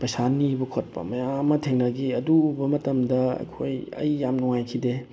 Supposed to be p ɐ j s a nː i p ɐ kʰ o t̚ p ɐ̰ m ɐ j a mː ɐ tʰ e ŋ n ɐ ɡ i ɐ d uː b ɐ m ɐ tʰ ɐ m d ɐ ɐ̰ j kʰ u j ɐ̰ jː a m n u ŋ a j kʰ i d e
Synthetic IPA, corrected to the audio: p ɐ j s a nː i b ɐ kʰ o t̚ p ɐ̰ m ɐ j a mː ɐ tʰ e ŋ n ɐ ɡ i ɐ d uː b ɐ m ɐ t ɐ m d ɐ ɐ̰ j kʰ o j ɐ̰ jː a m n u ŋ a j kʰ i d e